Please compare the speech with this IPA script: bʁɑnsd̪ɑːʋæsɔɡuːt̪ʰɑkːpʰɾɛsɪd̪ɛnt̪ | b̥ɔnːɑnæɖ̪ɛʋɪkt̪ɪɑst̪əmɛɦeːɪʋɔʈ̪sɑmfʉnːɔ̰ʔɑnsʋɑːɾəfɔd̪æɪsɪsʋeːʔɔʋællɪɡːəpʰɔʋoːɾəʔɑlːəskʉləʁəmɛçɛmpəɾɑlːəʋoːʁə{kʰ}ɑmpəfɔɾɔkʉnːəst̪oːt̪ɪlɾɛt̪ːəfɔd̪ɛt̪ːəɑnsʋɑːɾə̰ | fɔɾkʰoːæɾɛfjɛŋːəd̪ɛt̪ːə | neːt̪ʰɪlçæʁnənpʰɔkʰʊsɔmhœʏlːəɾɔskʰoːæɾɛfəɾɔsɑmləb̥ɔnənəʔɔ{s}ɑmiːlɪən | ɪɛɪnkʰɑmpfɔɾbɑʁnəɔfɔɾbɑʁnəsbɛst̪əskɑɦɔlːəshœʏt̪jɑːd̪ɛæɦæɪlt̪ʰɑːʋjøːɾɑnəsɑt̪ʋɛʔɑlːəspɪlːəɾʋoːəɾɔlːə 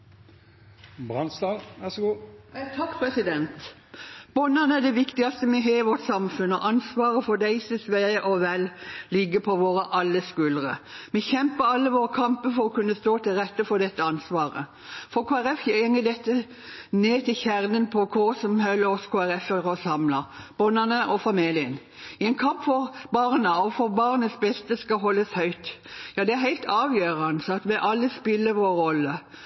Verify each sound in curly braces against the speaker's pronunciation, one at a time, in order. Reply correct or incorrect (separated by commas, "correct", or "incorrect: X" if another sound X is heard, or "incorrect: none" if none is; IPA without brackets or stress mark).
correct, incorrect: f